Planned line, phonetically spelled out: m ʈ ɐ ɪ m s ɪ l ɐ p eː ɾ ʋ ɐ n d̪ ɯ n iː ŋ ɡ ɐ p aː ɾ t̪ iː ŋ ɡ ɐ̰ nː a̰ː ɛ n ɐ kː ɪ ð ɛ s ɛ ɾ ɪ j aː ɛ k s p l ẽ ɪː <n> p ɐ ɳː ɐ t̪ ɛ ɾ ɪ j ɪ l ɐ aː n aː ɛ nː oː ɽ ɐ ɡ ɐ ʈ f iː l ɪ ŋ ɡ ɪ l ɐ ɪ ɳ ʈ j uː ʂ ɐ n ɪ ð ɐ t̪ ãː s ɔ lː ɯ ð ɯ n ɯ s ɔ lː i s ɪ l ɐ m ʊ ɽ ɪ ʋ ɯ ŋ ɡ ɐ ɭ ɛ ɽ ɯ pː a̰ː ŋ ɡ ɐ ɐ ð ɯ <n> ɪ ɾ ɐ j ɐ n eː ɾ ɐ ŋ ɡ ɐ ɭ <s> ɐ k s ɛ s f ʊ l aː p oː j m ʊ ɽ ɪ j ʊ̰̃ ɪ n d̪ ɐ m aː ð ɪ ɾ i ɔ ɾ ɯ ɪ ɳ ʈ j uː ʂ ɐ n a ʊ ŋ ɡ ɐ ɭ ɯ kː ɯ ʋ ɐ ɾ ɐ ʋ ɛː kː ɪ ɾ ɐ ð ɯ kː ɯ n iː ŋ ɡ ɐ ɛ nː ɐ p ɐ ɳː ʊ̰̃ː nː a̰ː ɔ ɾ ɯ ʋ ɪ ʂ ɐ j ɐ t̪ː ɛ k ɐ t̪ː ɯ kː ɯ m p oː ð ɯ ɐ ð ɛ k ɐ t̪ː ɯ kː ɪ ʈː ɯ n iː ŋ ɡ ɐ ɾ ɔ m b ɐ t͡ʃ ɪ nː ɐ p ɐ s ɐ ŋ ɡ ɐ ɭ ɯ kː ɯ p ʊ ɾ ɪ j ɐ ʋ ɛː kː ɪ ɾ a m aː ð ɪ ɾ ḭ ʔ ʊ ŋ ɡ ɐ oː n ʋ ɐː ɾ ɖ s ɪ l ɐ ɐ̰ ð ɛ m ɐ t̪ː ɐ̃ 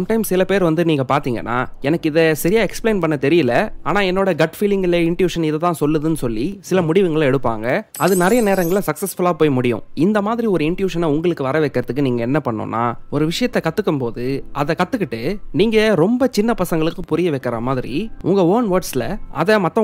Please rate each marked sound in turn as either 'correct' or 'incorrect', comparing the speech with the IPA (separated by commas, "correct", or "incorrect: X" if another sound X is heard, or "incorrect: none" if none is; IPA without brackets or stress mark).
correct, correct, correct